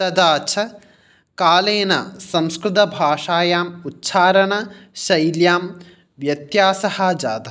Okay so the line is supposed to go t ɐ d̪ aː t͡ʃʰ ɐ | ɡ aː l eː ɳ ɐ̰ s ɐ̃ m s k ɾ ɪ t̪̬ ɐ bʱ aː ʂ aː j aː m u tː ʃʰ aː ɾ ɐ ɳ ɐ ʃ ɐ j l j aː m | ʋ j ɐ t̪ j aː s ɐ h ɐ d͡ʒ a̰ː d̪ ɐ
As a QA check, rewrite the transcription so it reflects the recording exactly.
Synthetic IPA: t ɐ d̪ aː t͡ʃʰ ɐ | k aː l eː n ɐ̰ s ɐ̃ m s k ɾ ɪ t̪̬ ɐ bʱ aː ʂ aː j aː m u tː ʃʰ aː ɾ ɐ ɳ ɐ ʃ ɐ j l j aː m | ʋ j ɐ t̪ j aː s ɐ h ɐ d͡ʒ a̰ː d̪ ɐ

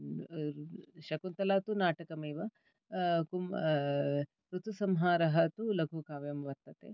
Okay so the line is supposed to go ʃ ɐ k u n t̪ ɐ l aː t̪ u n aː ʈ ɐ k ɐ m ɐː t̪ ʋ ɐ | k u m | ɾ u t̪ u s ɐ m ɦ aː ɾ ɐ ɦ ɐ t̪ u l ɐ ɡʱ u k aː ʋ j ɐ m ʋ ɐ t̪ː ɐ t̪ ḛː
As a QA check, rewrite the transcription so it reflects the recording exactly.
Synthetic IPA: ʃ ɐ k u n t̪ ɐ l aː t̪ u n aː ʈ ɐ k ɐ m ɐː ʋ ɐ | k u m | ɾ u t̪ u s ɐ m ɦ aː ɾ ɐ ɦ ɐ t̪ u l ɐ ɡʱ u k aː ʋ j ɐ m ʋ ɐ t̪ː ɐ t̪ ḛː

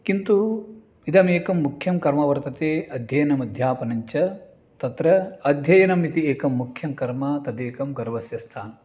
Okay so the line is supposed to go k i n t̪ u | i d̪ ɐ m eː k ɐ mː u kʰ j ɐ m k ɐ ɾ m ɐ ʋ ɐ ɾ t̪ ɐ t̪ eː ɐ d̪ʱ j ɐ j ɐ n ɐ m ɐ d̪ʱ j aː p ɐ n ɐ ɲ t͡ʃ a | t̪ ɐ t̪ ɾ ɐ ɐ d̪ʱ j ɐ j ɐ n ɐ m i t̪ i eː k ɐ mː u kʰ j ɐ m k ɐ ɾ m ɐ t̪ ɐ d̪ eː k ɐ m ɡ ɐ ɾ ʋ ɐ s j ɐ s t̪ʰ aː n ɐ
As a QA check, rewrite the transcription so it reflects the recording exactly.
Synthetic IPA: k i n t̪ u | i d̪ ɐ m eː k ɐ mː u kʰ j ɐ m k ɐ ɾ m ɐ ʋ ɐ ɾ t̪ ɐ t̪ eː ɐ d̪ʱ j ɐ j ɐ n ɐ m ɐ d̪ʱ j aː p ɐ n ɐ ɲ t͡ʃ ɐ | t̪ ɐ t̪ ɾ ɐ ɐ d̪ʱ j ɐ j ɐ n ɐ m i t̪ i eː k ɐ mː u kʰ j ɐ m k ɐ ɾ m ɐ t̪ ɐ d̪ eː k ɐ m ɡ ɐ ɾ ʋ ɐ s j ɐ s t̪ʰ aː n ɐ

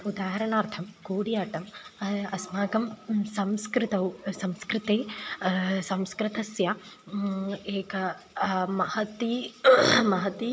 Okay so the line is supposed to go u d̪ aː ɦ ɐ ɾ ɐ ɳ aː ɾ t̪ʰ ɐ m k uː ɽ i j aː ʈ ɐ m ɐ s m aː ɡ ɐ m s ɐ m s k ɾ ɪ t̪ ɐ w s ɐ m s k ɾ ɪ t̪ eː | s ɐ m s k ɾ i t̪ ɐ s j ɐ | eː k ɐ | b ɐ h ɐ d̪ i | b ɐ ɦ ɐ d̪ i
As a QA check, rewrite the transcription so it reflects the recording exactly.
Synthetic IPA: u d̪ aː ɦ ɐ ɾ ɐ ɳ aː ɾ t̪ʰ ɐ m k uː ɽ i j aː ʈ ɐ m ɐ s m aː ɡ ɐ m s ɐ m s k ɾ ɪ t̪ ɐ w s ɐ m s k ɾ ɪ t̪ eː | s ɐ m s k ɾ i t̪ ɐ s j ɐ | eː k ɐ | m ɐ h ɐ t̪ i | m ɐ ɦ ɐ t̪ i

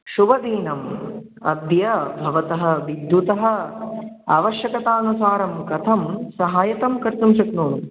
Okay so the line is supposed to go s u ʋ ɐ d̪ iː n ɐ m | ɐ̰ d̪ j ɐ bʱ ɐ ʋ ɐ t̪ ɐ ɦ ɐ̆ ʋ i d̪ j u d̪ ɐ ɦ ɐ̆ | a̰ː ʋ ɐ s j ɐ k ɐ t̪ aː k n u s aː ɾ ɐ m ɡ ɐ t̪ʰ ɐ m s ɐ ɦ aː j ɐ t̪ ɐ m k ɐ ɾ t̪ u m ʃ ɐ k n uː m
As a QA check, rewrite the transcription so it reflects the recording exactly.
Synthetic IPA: ʃ u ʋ ɐ d̪ iː n ɐ m | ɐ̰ d̪ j ɐ bʱ ɐ ʋ ɐ t̪ ɐ ɦ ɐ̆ ʋ i d̪ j u t̪ ɐ ɦ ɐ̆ | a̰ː ʋ ɐ ʃ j ɐ k ɐ t̪ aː n u s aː ɾ ɐ m k ɐ t̪ʰ ɐ m s ɐ ɦ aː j ɐ t̪ ɐ m k ɐ ɾ t̪ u m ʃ ɐ k n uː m

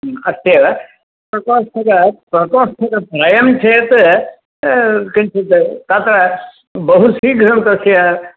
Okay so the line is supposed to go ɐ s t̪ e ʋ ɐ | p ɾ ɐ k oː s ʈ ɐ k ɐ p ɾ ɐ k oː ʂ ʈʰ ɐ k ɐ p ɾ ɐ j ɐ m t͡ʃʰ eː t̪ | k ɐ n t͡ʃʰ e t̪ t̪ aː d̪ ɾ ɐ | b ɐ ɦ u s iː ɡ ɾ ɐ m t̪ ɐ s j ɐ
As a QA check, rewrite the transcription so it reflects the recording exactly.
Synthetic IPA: ɐ s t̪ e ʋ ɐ | p ɾ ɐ k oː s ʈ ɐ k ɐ p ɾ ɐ k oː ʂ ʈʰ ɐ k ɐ p ɾ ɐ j ɐ m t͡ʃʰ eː t̪ | k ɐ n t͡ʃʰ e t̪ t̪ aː t̪ ɾ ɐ | b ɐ ɦ u s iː ɡ ɾ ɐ m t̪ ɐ s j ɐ

